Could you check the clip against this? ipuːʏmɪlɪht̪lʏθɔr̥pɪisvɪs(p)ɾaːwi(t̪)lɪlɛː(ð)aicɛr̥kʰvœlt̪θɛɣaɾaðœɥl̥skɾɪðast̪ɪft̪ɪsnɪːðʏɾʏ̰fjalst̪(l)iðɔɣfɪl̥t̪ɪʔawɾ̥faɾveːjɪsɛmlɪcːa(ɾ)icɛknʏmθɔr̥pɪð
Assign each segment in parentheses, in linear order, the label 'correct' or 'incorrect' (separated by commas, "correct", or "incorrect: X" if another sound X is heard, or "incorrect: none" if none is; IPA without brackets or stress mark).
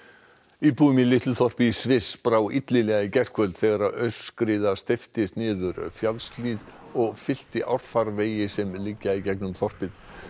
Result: correct, correct, incorrect: ɣ, correct, incorrect: none